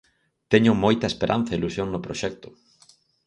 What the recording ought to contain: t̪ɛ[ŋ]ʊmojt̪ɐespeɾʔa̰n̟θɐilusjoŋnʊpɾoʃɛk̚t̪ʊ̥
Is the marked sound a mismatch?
yes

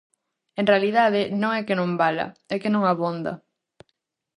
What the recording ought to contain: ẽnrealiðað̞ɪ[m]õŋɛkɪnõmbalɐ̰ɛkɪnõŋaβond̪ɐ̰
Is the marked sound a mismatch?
yes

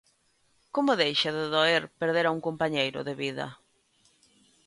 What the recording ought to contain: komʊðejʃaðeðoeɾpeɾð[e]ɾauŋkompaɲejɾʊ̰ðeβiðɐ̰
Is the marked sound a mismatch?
no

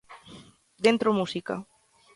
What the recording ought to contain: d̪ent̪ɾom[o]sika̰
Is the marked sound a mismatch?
yes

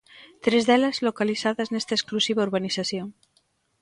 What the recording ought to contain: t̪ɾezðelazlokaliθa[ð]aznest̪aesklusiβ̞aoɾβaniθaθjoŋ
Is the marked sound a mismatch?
no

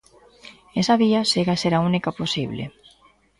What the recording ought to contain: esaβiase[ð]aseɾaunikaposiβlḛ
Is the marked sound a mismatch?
yes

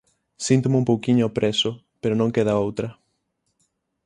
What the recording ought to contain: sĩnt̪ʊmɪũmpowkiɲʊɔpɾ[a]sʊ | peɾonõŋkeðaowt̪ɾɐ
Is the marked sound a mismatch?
yes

